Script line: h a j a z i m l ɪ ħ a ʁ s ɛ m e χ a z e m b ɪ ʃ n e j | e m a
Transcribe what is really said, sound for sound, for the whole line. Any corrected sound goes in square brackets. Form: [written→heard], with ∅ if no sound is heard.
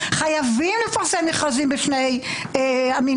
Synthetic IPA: [h→χ] a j a [z→v] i m l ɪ [ħ→f] a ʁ s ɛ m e χ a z [e→i] m b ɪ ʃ n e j | [e→a] m [a→i]

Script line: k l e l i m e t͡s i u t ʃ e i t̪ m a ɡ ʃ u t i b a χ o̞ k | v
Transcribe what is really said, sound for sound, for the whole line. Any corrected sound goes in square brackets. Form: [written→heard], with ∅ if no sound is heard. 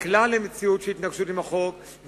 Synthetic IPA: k l [e→a] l [i→e] m e t͡s i u t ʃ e i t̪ [m→n] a ɡ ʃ u t i [b→m] a χ o̞ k | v

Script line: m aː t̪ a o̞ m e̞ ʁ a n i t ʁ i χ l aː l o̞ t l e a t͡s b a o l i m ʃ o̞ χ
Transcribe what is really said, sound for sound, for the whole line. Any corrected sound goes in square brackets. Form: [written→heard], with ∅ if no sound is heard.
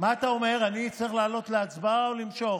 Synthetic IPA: m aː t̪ a o̞ m e̞ ʁ a n i [t→t͡s] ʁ i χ l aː l o̞ t l e a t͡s b a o l i m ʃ o̞ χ

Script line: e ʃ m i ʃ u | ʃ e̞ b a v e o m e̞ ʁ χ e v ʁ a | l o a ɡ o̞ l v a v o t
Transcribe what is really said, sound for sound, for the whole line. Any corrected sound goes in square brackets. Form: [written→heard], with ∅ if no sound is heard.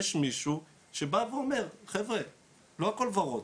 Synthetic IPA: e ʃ m i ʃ u | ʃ e̞ b a v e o m e̞ ʁ χ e v ʁ [a→e] | l o a [ɡ→k] o̞ l v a [v→ʁ] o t

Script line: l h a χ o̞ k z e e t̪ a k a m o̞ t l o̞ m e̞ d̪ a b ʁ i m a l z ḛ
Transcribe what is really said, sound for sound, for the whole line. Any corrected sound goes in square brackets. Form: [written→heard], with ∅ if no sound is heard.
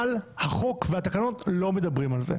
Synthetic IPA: l h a χ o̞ k [z→v] e [e→a] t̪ a k a [m→n] o̞ t l o̞ m e̞ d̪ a b ʁ i m a l z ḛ

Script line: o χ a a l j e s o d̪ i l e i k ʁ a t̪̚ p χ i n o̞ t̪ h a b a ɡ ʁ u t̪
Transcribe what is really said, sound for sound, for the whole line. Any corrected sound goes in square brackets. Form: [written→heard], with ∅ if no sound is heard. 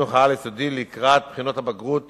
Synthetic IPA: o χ a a l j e s o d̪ i l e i k ʁ a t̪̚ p χ i n o̞ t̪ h a b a ɡ ʁ u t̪

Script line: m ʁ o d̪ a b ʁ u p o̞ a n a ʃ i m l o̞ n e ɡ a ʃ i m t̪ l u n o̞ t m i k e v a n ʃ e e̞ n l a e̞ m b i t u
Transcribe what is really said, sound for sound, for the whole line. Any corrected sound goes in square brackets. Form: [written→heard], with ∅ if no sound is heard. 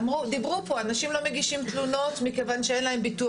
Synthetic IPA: m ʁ [o→u] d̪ [a→i] b ʁ u p o̞ a n a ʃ i m l o̞ [n→m] e ɡ [a→i] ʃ i m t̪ l u n o̞ t m i k e v a n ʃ e e̞ n l a e̞ m b i t u

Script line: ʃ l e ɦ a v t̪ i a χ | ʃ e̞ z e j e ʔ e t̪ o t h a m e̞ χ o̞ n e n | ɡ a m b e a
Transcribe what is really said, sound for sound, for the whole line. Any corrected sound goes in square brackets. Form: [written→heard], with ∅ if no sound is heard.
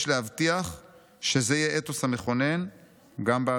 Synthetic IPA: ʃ l e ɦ a v t̪ i a χ | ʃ e̞ z e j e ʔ e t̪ o [t→s] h a m e̞ χ o̞ n e n | ɡ a m b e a

